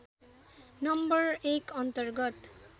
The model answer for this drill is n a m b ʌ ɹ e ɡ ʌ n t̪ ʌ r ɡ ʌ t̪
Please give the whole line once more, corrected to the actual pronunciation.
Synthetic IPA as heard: n ʌ m b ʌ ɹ e k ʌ n t̪ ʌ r ɡ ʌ t̪